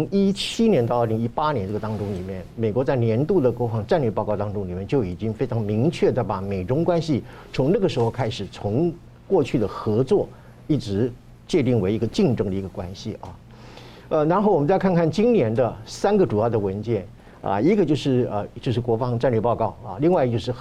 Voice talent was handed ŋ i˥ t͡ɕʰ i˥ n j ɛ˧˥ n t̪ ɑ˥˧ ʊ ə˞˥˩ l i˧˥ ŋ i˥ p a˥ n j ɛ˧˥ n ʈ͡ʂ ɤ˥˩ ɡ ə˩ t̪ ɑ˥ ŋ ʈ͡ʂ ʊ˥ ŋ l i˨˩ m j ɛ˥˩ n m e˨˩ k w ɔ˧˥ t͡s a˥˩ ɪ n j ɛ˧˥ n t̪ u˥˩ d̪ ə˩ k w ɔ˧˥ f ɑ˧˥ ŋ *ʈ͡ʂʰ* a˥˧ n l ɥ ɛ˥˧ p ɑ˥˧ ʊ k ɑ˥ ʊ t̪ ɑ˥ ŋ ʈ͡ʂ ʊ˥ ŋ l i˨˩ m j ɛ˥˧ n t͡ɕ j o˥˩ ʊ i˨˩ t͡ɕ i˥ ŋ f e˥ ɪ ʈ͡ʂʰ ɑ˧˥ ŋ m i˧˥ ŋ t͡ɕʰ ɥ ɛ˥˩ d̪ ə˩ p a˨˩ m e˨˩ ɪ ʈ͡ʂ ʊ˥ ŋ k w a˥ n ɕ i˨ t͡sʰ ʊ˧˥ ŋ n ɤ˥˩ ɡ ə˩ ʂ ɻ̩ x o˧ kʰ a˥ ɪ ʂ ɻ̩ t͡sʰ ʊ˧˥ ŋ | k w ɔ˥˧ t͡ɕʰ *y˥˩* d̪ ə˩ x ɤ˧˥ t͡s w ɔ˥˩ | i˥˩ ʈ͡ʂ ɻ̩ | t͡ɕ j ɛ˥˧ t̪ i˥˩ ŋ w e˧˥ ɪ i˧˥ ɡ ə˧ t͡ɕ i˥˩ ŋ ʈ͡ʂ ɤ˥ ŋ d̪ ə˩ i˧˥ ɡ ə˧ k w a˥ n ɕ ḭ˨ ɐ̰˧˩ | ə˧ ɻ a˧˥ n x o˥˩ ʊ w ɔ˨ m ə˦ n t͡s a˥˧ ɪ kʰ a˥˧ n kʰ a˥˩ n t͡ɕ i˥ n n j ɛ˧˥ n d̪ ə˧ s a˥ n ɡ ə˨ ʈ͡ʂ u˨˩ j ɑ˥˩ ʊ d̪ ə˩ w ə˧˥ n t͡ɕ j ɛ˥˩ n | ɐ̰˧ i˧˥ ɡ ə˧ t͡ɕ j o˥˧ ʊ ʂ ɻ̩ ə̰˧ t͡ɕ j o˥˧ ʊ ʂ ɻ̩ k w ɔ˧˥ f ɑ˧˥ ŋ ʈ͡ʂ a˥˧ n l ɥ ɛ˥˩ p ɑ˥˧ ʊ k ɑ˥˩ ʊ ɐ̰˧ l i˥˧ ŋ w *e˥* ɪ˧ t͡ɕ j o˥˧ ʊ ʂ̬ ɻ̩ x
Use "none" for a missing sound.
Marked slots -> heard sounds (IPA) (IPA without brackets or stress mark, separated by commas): ʈ͡ʂ, y˥˩, a˥